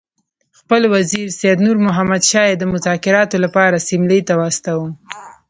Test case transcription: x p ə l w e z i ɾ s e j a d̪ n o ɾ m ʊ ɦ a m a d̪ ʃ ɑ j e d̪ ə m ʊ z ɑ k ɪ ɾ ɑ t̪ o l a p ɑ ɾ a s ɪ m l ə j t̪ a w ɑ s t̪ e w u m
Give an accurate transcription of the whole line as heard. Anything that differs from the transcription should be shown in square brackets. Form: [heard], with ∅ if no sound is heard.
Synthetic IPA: x p ə l w [a] z i ɾ s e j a d̪ n [u] ɾ m ʊ ɦ a m a d̪ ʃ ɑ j e d̪ ə m ʊ z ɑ k ɪ ɾ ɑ t̪ o l a p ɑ ɾ a s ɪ m l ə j t̪ a w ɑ s t̪ [a] w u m